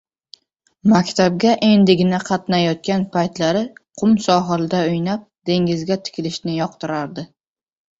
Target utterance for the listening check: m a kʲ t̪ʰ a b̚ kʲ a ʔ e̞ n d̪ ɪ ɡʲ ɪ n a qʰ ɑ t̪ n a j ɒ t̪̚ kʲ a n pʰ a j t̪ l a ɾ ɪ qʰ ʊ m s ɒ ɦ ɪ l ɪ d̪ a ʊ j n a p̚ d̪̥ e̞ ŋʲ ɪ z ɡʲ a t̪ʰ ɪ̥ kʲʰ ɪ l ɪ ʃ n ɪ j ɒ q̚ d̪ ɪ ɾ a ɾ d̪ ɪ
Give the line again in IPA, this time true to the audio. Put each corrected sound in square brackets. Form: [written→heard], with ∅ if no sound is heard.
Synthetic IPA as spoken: m a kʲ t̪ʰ a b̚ [kʲ→ɡʲ] a ʔ e̞ n d̪ ɪ ɡʲ ɪ n a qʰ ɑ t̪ n a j ɒ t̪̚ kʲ a n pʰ a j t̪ l a ɾ ɪ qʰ ʊ m s ɒ ɦ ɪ l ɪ d̪ a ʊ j n a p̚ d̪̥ e̞ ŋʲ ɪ z ɡʲ a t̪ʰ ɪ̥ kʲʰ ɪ l ɪ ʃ n ɪ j ɒ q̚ [d̪→t̪] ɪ ɾ a ɾ d̪ ɪ

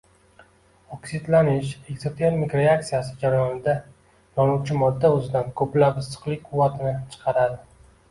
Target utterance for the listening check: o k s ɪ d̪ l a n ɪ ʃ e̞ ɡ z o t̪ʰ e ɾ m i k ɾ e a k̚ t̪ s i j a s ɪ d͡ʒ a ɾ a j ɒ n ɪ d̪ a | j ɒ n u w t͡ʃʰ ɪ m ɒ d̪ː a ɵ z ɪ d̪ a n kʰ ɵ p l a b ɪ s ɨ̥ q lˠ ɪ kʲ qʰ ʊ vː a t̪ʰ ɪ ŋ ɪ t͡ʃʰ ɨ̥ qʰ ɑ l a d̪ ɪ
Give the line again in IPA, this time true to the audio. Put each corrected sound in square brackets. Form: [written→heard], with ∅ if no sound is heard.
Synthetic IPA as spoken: o k s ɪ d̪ l a n ɪ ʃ e̞ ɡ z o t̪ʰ e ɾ m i k ɾ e a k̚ t̪ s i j a s ɪ d͡ʒ a ɾ a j ɒ n ɪ d̪ a | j ɒ n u w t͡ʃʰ ɪ m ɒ d̪ː a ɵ z ɪ d̪ a n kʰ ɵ p l a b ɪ s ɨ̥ q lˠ ɪ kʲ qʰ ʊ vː a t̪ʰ ɪ [ŋ→n] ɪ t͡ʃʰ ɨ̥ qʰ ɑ [l→ɾ] a d̪ ɪ

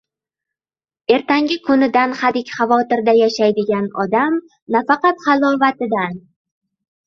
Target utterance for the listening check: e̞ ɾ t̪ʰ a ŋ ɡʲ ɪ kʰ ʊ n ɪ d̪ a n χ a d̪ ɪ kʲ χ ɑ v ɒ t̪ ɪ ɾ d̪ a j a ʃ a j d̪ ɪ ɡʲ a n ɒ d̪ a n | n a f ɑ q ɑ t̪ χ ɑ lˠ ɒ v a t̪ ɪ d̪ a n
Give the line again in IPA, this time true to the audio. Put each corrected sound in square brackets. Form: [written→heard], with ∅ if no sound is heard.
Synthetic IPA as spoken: e̞ ɾ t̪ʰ a ŋ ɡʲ ɪ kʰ ʊ n ɪ d̪ a n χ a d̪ ɪ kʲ χ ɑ v ɒ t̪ ɪ ɾ d̪ a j a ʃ a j d̪ ɪ ɡʲ a n ɒ d̪ a [n→m] | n a f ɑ q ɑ t̪ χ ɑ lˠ ɒ v a t̪ ɪ d̪ a n

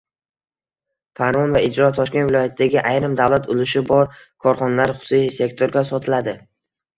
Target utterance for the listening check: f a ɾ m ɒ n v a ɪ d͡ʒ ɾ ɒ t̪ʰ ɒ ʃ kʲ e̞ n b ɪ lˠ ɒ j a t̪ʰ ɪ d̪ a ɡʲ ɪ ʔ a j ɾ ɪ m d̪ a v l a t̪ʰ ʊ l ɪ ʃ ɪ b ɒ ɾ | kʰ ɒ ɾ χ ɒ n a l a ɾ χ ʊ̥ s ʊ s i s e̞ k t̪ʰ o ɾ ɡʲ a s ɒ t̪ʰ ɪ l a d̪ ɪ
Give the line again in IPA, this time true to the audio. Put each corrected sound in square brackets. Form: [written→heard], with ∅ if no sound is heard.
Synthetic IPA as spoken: f a ɾ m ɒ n v a ɪ d͡ʒ ɾ ɒ t̪ʰ ɒ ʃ kʲ e̞ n [b→v] ɪ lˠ ɒ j a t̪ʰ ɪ d̪ a ɡʲ ɪ ʔ a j ɾ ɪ m d̪ a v l a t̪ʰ ʊ l ɪ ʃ ɪ b ɒ ɾ | kʰ ɒ ɾ χ ɒ n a l a ɾ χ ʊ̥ s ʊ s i s e̞ k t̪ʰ o ɾ ɡʲ a s ɒ t̪ʰ ɪ l a d̪ ɪ

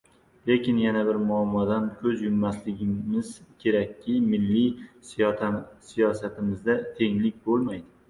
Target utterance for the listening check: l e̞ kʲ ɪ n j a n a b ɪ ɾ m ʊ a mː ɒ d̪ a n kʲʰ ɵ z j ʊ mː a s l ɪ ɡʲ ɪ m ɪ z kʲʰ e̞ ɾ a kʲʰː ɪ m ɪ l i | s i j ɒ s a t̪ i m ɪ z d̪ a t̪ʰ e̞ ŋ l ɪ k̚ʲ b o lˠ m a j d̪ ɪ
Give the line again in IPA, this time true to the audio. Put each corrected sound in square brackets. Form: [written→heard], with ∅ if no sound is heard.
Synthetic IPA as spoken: l e̞ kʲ ɪ n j a n a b ɪ ɾ m ʊ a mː ɒ d̪ a n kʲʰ ɵ z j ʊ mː a s l ɪ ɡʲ ɪ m ɪ z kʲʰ e̞ ɾ a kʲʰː ɪ m ɪ [l→lː] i | s i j ɒ s a t̪ [i→ɪ] m ɪ z d̪ a t̪ʰ e̞ ŋ l ɪ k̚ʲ b o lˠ m a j d̪ ɪ

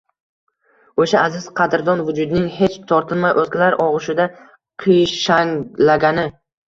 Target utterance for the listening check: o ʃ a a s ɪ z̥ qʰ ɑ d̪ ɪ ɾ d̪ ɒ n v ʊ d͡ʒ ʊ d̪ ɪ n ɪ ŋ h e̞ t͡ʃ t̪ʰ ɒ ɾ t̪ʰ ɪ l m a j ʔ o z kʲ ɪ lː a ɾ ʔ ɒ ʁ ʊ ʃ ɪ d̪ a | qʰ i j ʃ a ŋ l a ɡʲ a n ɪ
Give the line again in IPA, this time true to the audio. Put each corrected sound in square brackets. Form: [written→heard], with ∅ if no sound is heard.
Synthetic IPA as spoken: o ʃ a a [s→z] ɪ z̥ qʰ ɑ d̪ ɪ ɾ d̪ ɒ n v ʊ d͡ʒ ʊ d̪ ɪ n ɪ ŋ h e̞ t͡ʃ t̪ʰ ɒ ɾ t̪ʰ ɪ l m a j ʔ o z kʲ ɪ [lː→l] a ɾ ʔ ɒ ʁ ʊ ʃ ɪ d̪ a | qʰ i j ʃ a ŋ l a ɡʲ a n ɪ

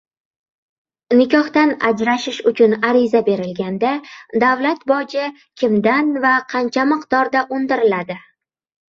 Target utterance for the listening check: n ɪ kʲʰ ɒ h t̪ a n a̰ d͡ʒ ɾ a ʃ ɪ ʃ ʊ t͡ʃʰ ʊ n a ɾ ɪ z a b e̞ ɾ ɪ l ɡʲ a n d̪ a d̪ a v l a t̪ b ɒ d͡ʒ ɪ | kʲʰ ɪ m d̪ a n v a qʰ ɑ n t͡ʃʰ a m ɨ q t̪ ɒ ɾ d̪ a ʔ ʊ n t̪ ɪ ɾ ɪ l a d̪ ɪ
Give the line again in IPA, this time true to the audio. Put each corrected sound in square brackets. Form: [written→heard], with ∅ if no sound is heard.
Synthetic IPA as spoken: n ɪ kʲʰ ɒ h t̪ a n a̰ d͡ʒ ɾ a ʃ ɪ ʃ ʊ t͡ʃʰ ʊ n a ɾ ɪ z a b e̞ ɾ ɪ l ɡʲ a n d̪ a d̪ a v l a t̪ b ɒ d͡ʒ ɪ | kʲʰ ɪ m d̪ a n v a qʰ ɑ n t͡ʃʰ a m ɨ q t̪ ɒ ɾ d̪ a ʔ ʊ n [t̪→d̪] ɪ ɾ ɪ l a d̪ ɪ

